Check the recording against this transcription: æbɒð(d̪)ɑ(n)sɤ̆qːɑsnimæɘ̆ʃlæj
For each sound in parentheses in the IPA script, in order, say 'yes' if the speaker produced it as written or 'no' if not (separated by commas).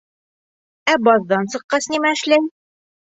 yes, yes